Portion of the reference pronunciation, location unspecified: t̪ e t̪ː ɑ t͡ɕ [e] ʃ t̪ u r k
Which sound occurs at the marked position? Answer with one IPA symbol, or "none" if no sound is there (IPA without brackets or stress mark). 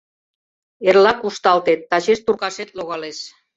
e